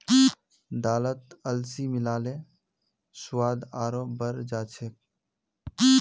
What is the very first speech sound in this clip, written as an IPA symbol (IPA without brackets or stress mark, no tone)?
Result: d̪